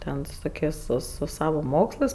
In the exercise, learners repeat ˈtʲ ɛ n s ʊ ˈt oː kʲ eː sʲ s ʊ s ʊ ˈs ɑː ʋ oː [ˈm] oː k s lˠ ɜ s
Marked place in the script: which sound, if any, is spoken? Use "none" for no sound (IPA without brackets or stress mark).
m